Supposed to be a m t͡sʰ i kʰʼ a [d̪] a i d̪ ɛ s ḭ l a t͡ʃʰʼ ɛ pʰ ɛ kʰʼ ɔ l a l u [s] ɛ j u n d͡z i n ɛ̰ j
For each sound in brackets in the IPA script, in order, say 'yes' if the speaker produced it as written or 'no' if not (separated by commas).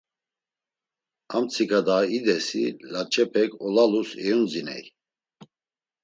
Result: yes, yes